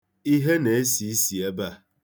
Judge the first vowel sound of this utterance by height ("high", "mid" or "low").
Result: high